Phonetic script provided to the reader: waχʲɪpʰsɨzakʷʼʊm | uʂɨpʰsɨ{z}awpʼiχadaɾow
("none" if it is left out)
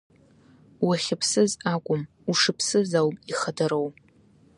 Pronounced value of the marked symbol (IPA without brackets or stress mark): z